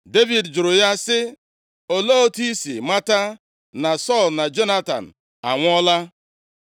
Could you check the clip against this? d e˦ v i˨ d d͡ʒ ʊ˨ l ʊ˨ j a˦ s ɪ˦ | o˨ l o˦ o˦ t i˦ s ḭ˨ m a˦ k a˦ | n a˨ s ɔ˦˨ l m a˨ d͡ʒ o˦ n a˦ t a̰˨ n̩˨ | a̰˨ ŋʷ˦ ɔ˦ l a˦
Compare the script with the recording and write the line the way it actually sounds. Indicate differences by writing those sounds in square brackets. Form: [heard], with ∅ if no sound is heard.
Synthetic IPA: d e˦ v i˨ d d͡ʒ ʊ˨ [ɾ] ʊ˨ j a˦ s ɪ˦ | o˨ l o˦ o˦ t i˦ s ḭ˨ m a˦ [t] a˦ | n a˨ s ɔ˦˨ l [n] a˨ d͡ʒ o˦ n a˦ t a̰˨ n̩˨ | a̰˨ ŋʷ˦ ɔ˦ l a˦